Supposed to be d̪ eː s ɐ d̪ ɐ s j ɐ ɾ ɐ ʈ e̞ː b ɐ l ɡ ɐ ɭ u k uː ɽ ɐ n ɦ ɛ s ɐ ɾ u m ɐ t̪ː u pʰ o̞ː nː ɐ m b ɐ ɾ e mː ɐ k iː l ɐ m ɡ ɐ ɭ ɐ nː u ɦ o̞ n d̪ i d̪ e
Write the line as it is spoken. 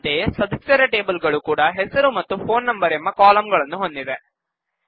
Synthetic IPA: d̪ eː s ɐ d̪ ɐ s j ɐ ɾ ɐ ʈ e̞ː b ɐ l ɡ ɐ ɭ u k uː ɽ ɐ ɦ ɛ s ɐ ɾ u m ɐ t̪ː u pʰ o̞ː nː ɐ m b ɐ ɾ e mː ɐ k aː l ɐ m ɡ ɐ ɭ ɐ nː u ɦ o̞ n d̪ i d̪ e